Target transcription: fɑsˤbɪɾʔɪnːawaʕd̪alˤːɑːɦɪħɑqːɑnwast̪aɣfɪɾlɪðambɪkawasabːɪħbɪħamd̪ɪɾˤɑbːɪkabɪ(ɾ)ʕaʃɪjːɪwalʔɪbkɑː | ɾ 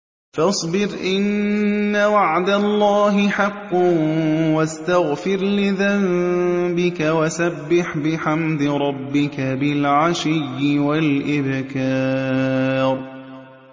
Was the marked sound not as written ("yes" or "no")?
yes